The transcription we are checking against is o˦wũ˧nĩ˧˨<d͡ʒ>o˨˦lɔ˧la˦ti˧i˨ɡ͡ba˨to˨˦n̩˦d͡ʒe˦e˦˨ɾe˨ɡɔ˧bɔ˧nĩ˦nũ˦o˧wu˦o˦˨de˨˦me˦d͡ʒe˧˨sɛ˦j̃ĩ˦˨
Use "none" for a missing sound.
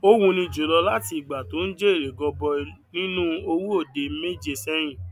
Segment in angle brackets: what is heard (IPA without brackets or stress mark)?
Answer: d͡ʒ